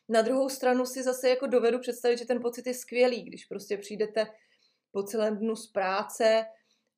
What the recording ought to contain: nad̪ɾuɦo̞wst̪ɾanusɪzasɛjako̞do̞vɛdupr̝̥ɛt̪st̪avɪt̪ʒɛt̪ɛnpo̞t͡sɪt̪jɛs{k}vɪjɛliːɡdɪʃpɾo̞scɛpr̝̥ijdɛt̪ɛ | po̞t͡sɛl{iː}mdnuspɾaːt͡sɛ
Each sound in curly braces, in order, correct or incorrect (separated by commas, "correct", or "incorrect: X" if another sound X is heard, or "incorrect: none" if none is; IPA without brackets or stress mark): correct, incorrect: ɛː